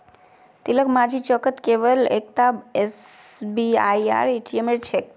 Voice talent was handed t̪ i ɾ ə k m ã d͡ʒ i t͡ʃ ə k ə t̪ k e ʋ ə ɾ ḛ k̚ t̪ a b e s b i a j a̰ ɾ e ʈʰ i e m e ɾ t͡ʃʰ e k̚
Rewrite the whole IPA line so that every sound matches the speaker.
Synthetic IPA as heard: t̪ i l ə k m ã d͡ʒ i t͡ʃ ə k ə t̪ k e ʋ ə l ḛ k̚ t̪ a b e s b i a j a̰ ɾ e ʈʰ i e m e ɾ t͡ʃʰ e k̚